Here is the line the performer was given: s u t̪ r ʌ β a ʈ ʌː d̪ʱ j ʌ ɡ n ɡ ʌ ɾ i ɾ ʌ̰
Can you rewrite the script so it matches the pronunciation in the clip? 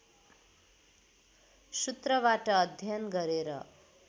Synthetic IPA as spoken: s u t̪ r ʌ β a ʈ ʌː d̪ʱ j ʌ n ɡ ʌ ɾ e ɾ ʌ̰

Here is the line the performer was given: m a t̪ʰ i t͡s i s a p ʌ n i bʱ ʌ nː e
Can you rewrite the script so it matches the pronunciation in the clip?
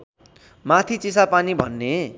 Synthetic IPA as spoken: m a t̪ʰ i t͡s i s a p a n i bʱ ʌ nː e

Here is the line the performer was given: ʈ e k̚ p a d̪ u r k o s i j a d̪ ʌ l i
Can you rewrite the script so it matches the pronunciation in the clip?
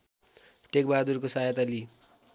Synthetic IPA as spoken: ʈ e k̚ b a d̪ u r k o s a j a t̪ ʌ l i

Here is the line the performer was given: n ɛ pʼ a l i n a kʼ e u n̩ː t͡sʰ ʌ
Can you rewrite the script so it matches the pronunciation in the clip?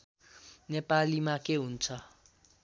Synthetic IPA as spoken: n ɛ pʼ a l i m a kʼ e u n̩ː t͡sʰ a

